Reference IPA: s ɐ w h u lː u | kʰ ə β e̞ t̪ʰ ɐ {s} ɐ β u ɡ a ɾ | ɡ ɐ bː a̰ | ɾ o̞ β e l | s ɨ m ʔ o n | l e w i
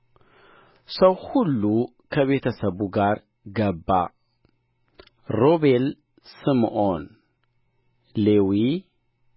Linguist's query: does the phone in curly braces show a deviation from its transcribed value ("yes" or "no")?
no